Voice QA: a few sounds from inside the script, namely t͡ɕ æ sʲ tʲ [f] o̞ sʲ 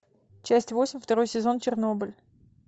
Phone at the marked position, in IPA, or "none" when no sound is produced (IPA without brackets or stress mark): v